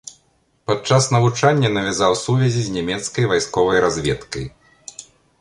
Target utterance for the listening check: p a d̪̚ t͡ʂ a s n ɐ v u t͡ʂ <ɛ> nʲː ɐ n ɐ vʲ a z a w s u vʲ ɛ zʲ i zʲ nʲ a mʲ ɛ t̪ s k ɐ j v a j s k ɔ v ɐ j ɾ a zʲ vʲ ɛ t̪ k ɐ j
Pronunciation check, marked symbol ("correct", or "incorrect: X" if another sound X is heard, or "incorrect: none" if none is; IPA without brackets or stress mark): incorrect: a